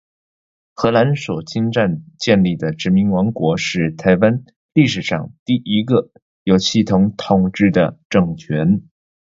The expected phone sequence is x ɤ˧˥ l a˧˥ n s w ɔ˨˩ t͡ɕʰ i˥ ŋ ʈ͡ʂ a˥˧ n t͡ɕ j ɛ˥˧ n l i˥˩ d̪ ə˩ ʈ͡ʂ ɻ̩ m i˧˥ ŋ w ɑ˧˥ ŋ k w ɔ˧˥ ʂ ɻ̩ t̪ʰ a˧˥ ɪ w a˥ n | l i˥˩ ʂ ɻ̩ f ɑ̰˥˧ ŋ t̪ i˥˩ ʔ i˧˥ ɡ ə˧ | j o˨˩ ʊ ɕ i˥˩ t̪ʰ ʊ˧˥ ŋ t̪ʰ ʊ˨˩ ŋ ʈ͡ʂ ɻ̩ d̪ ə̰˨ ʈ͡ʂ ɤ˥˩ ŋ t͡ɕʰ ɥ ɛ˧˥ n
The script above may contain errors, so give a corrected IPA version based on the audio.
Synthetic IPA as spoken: x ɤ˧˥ l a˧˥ n s w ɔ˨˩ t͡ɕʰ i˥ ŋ ʈ͡ʂ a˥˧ n t͡ɕ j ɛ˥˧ n l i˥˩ d̪ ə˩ ʈ͡ʂ ɻ̩ m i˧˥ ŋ w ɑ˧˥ ŋ k w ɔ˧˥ ʂ ɻ̩ t̪ʰ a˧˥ ɪ w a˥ n | l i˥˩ ʂ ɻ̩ ʂ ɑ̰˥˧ ŋ t̪ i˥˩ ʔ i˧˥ ɡ ə˧ | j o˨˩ ʊ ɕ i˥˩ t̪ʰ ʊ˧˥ ŋ t̪ʰ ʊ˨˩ ŋ ʈ͡ʂ ɻ̩ d̪ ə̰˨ ʈ͡ʂ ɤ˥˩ ŋ t͡ɕʰ ɥ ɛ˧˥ n